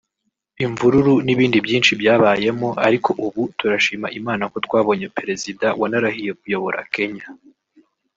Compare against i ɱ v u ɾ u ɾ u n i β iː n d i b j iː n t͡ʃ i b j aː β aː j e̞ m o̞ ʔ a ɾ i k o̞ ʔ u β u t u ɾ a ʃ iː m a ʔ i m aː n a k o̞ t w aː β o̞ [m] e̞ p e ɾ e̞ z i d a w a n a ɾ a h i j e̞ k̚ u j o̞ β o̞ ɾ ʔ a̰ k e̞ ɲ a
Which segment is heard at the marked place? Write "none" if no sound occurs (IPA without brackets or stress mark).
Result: ɲ